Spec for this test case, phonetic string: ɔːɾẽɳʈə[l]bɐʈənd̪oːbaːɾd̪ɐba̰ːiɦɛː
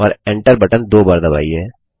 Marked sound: incorrect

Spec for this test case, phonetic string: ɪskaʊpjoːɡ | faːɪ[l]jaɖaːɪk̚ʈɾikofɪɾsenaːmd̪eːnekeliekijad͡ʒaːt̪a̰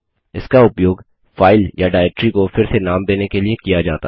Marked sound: correct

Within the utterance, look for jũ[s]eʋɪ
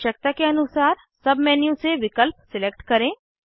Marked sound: correct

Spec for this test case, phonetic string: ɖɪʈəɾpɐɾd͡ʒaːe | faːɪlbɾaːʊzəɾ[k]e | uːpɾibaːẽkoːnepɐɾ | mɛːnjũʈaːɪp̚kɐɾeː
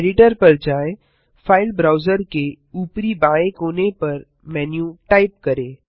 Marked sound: correct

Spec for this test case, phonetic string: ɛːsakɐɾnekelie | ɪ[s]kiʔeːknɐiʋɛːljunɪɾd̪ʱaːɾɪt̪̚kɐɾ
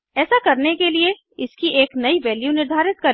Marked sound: correct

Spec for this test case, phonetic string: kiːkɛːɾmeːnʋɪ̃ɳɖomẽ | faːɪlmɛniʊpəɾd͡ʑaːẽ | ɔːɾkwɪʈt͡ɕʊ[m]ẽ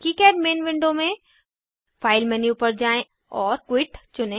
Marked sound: incorrect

